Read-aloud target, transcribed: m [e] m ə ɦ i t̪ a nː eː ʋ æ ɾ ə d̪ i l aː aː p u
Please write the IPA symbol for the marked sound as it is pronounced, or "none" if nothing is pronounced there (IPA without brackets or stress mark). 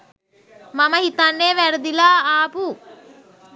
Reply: a